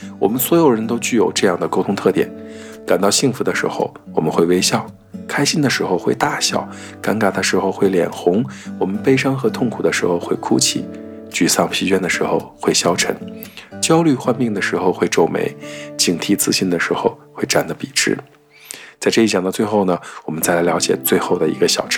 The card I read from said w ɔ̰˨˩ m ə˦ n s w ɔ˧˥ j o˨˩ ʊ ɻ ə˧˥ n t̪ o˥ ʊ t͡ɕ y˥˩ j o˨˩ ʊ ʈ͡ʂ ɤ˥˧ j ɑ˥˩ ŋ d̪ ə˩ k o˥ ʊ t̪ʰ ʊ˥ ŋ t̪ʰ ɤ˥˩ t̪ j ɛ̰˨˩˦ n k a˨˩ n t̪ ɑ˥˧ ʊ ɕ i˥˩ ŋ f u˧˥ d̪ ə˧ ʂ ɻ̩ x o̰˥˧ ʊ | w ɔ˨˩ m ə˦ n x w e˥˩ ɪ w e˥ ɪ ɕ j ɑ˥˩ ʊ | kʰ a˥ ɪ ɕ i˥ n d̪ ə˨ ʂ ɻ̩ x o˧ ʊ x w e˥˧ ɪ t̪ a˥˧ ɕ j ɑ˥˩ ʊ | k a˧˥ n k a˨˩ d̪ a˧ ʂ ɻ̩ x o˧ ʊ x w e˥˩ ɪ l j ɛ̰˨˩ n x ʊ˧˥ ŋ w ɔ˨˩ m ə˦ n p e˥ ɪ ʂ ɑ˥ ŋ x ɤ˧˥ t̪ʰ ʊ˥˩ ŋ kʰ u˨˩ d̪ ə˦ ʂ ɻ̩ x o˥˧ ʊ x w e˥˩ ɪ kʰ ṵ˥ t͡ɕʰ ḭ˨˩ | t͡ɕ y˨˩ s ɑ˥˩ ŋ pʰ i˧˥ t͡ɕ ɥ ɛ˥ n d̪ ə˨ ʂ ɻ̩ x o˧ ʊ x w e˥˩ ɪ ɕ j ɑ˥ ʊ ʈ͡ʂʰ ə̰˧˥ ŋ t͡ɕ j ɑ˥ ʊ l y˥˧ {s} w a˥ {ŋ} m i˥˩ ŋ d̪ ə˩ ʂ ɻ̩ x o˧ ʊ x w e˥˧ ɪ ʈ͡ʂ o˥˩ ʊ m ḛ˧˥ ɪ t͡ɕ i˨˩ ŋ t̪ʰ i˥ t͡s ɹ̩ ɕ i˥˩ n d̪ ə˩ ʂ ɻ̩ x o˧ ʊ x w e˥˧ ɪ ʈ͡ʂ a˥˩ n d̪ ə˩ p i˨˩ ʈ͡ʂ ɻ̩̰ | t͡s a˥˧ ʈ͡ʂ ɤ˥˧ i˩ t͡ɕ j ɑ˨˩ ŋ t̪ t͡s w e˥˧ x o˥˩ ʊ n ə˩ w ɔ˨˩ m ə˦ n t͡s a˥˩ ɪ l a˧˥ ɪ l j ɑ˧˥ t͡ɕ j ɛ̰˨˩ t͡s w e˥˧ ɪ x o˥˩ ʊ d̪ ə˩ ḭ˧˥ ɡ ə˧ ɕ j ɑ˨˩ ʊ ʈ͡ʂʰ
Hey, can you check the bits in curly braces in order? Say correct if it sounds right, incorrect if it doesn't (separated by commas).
incorrect, incorrect